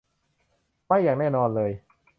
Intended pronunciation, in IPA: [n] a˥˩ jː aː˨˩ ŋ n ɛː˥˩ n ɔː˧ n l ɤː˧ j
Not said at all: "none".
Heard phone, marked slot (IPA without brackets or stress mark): m